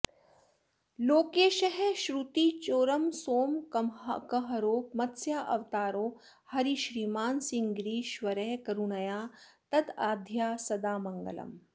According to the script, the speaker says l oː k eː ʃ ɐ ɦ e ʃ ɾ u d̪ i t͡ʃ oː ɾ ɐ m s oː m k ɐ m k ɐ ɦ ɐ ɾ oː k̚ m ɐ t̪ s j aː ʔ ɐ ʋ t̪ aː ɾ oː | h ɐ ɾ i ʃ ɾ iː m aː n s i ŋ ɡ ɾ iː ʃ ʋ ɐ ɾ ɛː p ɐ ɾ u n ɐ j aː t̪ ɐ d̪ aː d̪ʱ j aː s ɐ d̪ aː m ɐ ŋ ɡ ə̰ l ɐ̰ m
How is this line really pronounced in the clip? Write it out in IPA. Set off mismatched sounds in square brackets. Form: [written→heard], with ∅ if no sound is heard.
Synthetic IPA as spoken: l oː k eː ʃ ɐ ɦ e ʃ ɾ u [d̪→t̪] i t͡ʃ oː ɾ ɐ m s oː m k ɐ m k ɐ ɦ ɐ ɾ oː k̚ m ɐ t̪ s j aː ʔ ɐ ʋ t̪ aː ɾ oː | h ɐ ɾ i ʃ ɾ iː m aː n s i ŋ ɡ ɾ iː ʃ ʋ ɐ ɾ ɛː [p→k] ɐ ɾ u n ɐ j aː t̪ ɐ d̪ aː d̪ʱ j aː s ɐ d̪ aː m ɐ ŋ ɡ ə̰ l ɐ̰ m